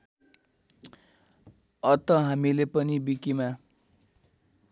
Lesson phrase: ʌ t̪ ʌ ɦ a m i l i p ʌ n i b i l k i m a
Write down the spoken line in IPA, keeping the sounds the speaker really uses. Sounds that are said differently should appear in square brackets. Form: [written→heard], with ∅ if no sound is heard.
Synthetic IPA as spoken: ʌ t̪ ʌ ɦ a m i l [i→e] p ʌ n i b i [l→∅] k i m a